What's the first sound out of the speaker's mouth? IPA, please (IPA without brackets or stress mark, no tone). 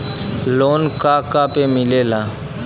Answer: l